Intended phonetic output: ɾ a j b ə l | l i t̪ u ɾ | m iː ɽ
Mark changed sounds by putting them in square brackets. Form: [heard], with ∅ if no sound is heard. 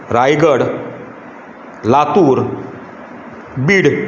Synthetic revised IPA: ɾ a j [ɡ] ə [ɽ] | l [a] t̪ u ɾ | [b] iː ɽ